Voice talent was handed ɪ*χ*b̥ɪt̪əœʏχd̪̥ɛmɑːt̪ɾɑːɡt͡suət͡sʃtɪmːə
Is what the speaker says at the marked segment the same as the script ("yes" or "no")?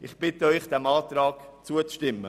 yes